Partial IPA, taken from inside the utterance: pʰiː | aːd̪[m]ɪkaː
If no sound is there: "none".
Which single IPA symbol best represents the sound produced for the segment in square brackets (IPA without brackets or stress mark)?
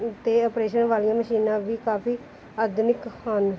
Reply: n